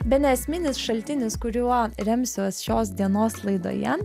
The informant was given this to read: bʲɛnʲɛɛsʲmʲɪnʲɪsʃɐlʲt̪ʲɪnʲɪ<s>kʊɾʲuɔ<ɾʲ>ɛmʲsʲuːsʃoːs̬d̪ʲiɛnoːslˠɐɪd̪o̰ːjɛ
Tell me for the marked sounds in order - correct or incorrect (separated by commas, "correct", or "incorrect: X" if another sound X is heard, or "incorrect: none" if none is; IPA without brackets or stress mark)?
correct, correct